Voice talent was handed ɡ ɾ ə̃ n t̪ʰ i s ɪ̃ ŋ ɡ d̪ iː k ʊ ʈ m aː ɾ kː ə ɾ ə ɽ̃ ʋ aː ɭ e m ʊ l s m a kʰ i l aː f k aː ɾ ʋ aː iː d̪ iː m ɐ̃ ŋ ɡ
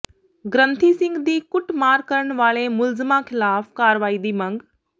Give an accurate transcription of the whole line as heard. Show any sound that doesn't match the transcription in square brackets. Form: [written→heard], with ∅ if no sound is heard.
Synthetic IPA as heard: ɡ ɾ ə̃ n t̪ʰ i s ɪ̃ ŋ ɡ d̪ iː k ʊ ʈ m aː ɾ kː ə ɾ ə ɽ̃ ʋ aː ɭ e m ʊ l [s→z] m a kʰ [i→ɪ] l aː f k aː ɾ ʋ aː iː d̪ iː m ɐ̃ ŋ ɡ